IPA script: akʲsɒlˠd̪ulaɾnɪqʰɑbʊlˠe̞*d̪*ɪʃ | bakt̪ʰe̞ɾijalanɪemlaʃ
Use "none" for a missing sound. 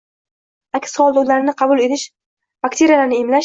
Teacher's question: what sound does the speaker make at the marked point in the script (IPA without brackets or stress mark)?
t̪